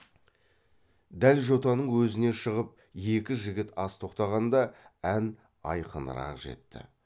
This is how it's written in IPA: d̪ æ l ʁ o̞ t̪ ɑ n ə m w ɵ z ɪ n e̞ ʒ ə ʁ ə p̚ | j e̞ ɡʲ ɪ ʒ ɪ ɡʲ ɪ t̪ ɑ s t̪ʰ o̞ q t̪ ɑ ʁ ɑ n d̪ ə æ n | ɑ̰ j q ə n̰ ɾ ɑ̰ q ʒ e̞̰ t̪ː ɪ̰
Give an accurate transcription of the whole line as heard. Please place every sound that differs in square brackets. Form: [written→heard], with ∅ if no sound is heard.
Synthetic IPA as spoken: d̪ æ l [ʁ→ʒ] o̞ t̪ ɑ n ə [m→ɴ] w ɵ z ɪ n e̞ [ʒ→ʃ] ə ʁ ə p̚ | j e̞ [ɡʲ→kʲ] ɪ ʒ ɪ ɡʲ ɪ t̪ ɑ s t̪ʰ o̞ q t̪ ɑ ʁ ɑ n d̪ [ə→ɑ] æ n | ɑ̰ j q ə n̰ ɾ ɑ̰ q ʒ e̞̰ t̪ː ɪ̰

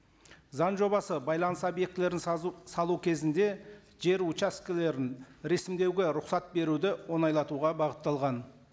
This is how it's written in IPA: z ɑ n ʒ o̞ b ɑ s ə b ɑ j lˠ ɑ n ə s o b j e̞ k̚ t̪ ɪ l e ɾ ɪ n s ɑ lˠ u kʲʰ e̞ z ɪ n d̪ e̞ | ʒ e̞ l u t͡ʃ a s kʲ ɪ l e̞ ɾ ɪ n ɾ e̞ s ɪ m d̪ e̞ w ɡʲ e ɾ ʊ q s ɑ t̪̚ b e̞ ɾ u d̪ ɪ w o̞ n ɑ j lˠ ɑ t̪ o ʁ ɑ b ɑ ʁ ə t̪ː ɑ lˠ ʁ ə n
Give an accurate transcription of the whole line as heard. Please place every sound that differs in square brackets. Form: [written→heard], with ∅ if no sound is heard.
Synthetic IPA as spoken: z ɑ n ʒ o̞ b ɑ s ə b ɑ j lˠ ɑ n ə s o b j e̞ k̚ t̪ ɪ l e ɾ ɪ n s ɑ lˠ u kʲʰ e̞ z ɪ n d̪ e̞ | ʒ e̞ [l→ɾ] u t͡ʃ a s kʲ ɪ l e̞ ɾ ɪ n ɾ e̞ s ɪ m d̪ e̞ w ɡʲ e ɾ ʊ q s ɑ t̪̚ b e̞ ɾ u d̪ ɪ w o̞ n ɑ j lˠ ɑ t̪ [o→u] ʁ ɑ b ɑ ʁ ə t̪ː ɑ lˠ ʁ [ə→ɑ] n

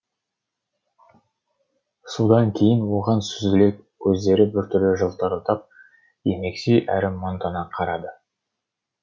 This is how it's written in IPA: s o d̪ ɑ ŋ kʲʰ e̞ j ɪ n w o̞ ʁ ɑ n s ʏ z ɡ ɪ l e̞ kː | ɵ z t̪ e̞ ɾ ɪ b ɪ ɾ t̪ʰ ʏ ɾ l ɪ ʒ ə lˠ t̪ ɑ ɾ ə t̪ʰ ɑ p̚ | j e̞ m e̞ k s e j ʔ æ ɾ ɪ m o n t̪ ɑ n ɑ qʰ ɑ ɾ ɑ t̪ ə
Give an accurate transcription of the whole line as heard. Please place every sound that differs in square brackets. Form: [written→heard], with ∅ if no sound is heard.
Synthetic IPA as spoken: s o d̪ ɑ ŋ kʲʰ e̞ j ɪ n w o̞ ʁ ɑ n s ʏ z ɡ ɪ l e̞ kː | ɵ z [t̪→d̪] e̞ ɾ ɪ b ɪ ɾ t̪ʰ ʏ ɾ l ɪ ʒ ə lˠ t̪ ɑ ɾ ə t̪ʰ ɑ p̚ | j e̞ m e̞ k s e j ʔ æ ɾ ɪ m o n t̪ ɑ n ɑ qʰ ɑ ɾ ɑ [t̪→d̪] ə

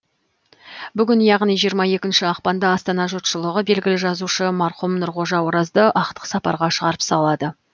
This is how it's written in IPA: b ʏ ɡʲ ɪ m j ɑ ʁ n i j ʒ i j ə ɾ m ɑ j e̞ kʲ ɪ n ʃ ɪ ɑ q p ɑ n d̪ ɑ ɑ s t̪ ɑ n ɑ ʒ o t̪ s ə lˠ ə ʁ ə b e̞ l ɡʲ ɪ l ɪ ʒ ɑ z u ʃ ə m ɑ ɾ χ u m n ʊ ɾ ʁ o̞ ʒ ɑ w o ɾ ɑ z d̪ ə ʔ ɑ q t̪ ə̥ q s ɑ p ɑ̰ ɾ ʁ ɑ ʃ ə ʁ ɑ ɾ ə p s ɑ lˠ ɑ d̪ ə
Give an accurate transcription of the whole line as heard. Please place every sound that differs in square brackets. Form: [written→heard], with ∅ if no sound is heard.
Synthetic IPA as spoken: b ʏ ɡʲ ɪ [m→n] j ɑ ʁ n i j ʒ i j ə ɾ m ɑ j e̞ kʲ ɪ n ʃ ɪ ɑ q p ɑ n d̪ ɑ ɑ s t̪ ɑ n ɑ ʒ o t̪ [s→ʃ] ə lˠ ə ʁ ə b e̞ l ɡʲ ɪ l ɪ ʒ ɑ z u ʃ ə m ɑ ɾ χ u m n ʊ ɾ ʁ o̞ ʒ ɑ w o ɾ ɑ z d̪ ə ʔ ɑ q t̪ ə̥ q s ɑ p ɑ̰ ɾ ʁ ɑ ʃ ə ʁ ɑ ɾ ə p s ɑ lˠ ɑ d̪ ə

